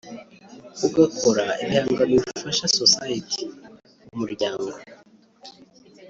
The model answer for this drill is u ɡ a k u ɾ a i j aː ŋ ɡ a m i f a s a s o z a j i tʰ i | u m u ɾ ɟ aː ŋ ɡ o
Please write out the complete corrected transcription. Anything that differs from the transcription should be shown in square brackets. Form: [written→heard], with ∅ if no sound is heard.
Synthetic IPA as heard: u ɡ a k [u→o] ɾ a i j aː ŋ ɡ a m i f a [s→ʃ] a s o [z→s] a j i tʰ i | u m u ɾ ɟ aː ŋ ɡ o